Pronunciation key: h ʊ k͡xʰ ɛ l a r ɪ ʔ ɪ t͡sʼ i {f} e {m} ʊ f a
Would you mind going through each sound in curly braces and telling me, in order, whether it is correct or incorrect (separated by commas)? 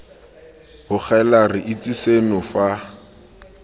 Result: incorrect, incorrect